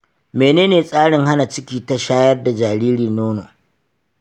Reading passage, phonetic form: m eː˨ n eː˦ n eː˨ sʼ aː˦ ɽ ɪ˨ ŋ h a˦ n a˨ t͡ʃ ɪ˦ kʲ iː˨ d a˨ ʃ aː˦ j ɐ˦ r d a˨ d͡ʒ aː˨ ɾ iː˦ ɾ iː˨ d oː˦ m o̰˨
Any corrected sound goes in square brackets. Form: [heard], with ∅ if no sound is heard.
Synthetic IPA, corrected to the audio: m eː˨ n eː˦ n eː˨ sʼ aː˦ ɽ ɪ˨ ŋ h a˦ n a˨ t͡ʃ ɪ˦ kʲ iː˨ [t] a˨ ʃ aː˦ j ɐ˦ r d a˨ d͡ʒ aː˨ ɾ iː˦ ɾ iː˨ [n] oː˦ [n] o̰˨